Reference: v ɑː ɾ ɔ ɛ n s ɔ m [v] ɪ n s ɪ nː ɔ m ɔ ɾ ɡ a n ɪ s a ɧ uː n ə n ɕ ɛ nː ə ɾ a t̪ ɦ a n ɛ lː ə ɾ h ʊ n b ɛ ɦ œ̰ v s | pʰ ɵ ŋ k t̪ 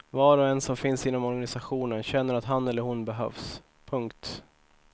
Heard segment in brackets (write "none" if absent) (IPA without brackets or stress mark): f